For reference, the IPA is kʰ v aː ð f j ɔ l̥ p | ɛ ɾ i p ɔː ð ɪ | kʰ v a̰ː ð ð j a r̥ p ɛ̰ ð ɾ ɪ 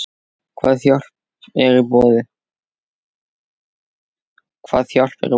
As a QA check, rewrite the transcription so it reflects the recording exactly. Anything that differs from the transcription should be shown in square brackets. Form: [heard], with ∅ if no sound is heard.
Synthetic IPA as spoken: kʰ v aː ð [θ] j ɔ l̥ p | ɛ ɾ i p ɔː ð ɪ | kʰ v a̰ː ð [θ] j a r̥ p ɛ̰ [∅] ɾ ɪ